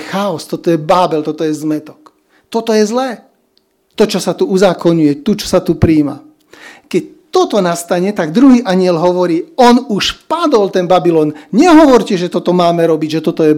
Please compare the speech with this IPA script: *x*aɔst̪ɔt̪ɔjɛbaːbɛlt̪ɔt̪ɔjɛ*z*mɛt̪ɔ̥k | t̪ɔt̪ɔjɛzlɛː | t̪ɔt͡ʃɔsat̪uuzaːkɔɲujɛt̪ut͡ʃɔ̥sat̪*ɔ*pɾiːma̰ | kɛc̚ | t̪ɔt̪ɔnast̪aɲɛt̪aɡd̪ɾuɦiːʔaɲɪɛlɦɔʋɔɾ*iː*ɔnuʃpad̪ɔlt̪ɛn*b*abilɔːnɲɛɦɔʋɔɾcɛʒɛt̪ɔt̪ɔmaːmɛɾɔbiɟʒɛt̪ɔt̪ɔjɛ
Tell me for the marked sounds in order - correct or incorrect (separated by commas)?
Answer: correct, correct, incorrect, correct, correct